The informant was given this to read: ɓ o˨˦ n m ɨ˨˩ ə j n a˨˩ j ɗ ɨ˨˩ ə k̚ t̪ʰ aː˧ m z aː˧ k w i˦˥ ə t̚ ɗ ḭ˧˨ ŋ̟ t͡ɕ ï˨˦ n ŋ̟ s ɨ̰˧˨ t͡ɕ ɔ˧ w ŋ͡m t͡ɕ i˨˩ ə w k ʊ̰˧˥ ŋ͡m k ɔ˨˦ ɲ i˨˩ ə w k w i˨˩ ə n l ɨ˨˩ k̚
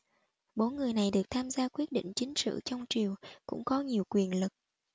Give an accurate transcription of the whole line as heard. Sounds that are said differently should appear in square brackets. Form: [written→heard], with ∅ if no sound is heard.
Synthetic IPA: ɓ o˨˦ n [m→ŋ] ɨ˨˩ ə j n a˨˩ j ɗ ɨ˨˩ ə k̚ t̪ʰ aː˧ m z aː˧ k w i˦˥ ə t̚ ɗ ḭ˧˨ ŋ̟ t͡ɕ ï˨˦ [n→∅] ŋ̟ s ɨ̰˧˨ t͡ɕ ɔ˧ w ŋ͡m t͡ɕ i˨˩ ə w k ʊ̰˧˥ ŋ͡m k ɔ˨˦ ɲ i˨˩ ə w k w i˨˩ ə n l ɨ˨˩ k̚

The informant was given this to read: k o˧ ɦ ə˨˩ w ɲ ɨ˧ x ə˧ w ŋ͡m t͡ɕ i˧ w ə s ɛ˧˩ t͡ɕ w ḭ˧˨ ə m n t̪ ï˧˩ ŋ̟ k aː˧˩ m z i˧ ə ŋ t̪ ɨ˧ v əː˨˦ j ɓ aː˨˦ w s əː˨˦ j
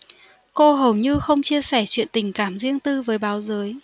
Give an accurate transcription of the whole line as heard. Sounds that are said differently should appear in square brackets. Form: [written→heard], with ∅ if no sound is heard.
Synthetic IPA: k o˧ ɦ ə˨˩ w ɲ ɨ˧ x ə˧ w ŋ͡m t͡ɕ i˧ [w→∅] ə s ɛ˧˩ t͡ɕ w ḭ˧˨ ə [m→∅] n t̪ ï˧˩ ŋ̟ k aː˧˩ m z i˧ ə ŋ t̪ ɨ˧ v əː˨˦ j ɓ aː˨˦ w [s→z] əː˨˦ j

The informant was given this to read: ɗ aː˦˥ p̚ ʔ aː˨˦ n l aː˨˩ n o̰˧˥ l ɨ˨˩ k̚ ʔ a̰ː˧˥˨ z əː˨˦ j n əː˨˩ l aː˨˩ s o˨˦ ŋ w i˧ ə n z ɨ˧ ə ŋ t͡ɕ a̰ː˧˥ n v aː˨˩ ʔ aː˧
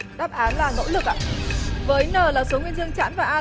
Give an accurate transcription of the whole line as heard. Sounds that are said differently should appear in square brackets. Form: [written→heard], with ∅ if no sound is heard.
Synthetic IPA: ɗ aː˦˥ p̚ ʔ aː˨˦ n l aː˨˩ n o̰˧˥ l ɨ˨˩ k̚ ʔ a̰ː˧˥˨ [z→v] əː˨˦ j n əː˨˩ l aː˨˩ s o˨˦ ŋ w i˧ ə n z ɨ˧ ə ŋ t͡ɕ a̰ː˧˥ n v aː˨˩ ʔ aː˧

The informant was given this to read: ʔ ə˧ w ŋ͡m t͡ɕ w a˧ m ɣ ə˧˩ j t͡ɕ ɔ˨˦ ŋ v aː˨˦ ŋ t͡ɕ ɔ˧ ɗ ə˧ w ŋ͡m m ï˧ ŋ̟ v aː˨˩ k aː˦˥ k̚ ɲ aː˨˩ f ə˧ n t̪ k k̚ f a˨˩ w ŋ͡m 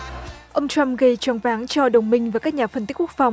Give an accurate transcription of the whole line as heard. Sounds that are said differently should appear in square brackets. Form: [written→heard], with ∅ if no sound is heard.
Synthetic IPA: ʔ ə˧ w ŋ͡m t͡ɕ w a˧ m ɣ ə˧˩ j t͡ɕ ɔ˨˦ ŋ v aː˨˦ ŋ t͡ɕ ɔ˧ ɗ [ə˧→ə˨˩] w ŋ͡m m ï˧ ŋ̟ v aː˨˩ k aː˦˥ k̚ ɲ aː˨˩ f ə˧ n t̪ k k̚ f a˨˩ w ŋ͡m

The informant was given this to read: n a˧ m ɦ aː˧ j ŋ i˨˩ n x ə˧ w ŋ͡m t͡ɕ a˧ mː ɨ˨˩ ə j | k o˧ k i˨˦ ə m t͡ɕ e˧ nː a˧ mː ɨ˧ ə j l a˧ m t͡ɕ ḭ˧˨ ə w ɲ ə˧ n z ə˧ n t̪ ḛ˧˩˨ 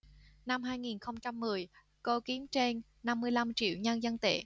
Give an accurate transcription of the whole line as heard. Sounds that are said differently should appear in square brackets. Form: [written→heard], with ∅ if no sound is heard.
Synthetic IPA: n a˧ m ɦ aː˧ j ŋ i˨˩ n x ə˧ w ŋ͡m t͡ɕ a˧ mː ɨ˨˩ ə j | k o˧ k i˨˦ ə m t͡ɕ e˧ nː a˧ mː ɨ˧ ə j l a˧ m t͡ɕ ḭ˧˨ ə w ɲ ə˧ n z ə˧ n t̪ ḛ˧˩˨

